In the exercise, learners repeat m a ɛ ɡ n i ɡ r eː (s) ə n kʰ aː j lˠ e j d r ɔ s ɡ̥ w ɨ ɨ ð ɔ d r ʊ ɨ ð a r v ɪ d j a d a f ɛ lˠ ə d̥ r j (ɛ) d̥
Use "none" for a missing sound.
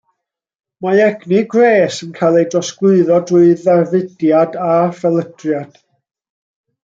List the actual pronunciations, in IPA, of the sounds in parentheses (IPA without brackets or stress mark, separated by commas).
s, a